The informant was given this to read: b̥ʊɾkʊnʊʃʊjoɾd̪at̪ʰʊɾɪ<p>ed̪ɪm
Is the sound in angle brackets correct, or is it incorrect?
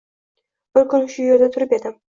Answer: correct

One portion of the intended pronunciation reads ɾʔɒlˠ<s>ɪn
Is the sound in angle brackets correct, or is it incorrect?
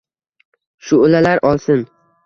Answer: correct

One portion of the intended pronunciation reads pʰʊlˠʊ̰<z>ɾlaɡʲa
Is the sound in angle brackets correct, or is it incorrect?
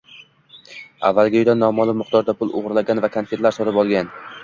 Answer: incorrect: ʁ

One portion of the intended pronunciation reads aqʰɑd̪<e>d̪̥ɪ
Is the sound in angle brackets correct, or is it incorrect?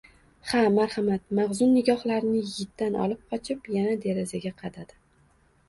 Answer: incorrect: a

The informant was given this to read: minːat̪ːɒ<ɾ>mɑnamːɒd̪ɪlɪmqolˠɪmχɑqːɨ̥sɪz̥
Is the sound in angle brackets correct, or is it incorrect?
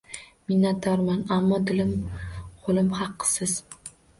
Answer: correct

